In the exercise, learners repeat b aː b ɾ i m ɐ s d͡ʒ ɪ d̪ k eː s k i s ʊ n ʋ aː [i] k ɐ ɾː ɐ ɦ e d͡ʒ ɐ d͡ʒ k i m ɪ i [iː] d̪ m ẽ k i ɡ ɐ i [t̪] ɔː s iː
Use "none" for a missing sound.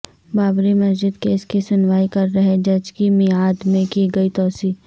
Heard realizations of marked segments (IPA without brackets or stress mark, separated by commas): i, aː, t̪